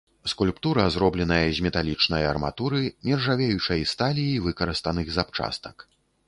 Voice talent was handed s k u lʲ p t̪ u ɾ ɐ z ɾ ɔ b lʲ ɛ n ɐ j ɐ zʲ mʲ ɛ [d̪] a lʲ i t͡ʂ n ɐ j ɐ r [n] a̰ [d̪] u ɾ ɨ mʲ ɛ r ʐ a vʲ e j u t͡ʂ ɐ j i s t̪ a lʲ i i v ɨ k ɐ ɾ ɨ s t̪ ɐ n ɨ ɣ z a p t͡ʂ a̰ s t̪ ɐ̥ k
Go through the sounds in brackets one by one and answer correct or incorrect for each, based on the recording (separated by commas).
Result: incorrect, incorrect, incorrect